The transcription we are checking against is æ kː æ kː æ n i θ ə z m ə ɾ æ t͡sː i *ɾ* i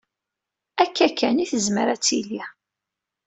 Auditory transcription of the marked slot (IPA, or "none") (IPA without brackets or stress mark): l